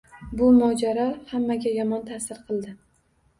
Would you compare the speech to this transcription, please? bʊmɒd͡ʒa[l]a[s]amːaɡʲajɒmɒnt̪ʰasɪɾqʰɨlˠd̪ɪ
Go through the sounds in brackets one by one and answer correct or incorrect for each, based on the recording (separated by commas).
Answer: incorrect, incorrect